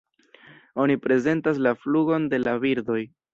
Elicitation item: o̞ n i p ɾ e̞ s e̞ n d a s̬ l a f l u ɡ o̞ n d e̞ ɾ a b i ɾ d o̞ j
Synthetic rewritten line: o̞ n i p ɾ e̞ z e̞ n t a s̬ l a f l u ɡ o̞ n d e̞ l a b i ɾ d o̞ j